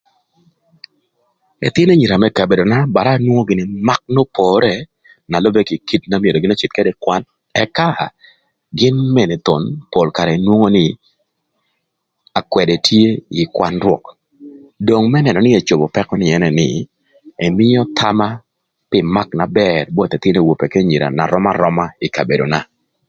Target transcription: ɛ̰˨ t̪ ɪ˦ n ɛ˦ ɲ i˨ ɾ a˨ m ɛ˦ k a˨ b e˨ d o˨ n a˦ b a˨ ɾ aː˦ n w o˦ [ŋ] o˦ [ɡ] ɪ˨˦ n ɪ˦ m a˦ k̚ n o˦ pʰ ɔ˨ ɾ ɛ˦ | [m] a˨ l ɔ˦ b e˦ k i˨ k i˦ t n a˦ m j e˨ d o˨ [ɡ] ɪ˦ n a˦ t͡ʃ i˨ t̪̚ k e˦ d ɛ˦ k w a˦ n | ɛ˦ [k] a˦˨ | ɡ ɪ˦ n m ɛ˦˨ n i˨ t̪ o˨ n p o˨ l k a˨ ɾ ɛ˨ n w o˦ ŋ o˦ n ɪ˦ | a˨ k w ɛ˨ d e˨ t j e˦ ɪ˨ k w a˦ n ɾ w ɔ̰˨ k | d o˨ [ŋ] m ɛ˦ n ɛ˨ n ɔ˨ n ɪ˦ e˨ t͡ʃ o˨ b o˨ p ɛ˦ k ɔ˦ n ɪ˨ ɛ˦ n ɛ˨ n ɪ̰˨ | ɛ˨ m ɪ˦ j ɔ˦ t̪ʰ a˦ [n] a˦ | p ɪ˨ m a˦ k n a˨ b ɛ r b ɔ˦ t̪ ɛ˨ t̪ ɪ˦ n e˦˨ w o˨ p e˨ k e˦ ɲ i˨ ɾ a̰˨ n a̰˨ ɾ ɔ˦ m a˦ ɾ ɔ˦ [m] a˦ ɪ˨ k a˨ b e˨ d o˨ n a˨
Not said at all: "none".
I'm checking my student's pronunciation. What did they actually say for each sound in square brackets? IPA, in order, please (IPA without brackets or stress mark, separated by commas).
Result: ŋ, ɡ, n, ɡ, k, ŋ, m, m